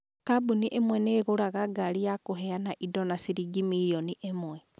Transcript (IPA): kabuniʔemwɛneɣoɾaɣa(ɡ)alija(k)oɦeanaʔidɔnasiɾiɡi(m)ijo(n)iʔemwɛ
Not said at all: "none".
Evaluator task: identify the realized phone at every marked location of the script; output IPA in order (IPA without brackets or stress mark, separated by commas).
ɡ, k, m, n